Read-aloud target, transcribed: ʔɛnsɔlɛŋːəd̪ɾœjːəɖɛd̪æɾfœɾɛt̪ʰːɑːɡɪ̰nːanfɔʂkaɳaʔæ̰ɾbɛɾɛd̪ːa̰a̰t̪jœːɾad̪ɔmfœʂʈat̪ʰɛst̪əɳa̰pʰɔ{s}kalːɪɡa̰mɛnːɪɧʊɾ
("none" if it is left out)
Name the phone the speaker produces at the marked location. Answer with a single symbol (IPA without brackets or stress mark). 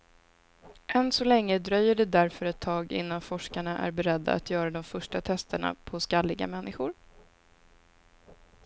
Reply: s